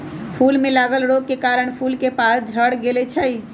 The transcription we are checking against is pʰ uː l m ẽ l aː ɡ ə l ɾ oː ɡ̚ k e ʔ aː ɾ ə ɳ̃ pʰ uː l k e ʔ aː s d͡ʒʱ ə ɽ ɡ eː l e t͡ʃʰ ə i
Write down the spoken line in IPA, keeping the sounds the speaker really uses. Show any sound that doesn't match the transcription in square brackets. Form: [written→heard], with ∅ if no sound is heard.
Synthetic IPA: pʰ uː l m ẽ l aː ɡ ə l ɾ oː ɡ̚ k e [ʔ→k] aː ɾ ə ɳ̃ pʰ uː l k e [ʔ→p] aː s d͡ʒʱ ə ɽ ɡ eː l e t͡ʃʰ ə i